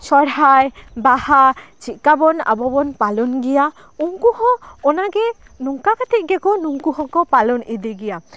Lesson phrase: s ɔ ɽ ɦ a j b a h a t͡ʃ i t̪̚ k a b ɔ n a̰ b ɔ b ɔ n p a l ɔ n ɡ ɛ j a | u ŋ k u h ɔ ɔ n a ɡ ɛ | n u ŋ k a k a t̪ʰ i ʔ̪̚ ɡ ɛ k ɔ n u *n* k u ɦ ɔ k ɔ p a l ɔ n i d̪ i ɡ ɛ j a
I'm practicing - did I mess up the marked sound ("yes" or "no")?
yes